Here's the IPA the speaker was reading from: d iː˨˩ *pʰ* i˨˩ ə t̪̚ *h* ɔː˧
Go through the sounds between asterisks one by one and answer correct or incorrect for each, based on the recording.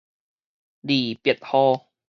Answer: incorrect: p, correct

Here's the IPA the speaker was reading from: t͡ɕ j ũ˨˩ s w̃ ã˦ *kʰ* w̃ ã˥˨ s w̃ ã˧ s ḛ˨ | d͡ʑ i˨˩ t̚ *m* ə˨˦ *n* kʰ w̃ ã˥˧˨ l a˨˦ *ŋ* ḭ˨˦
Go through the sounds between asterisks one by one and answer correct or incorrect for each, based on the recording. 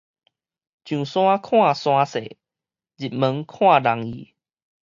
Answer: correct, correct, incorrect: ŋ, correct

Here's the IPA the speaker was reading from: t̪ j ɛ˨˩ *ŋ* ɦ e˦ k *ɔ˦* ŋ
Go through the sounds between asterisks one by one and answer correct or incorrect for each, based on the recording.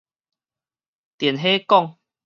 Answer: incorrect: n, incorrect: ɔ˥˨

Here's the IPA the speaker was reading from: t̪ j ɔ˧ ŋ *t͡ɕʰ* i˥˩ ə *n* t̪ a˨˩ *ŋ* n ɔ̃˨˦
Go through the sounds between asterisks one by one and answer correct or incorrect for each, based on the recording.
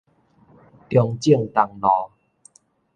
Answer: incorrect: t͡ɕ, incorrect: ŋ, correct

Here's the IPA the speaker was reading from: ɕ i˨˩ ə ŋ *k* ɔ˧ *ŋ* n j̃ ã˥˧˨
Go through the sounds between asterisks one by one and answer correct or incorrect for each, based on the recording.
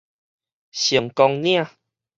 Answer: correct, correct

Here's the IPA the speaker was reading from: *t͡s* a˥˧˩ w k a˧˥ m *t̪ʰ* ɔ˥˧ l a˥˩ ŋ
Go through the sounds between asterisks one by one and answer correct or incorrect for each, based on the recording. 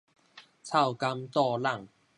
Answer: incorrect: t͡sʰ, incorrect: t̪

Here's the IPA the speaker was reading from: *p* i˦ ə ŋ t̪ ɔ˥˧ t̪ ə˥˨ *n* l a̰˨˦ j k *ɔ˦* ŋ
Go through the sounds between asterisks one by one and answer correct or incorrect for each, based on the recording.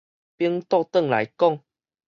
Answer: correct, incorrect: ŋ, incorrect: ɔ˥˨

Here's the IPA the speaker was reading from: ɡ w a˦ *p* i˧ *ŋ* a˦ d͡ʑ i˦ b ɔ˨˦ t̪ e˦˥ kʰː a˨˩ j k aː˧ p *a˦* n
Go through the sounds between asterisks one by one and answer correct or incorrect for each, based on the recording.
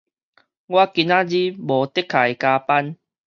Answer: incorrect: k, incorrect: n, correct

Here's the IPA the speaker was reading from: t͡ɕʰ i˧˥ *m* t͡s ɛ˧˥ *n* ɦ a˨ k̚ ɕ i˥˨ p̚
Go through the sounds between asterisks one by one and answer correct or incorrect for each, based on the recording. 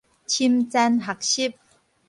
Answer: correct, correct

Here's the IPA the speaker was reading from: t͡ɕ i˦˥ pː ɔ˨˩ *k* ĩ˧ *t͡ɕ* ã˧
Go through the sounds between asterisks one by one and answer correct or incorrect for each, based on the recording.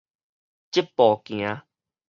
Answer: correct, incorrect: none

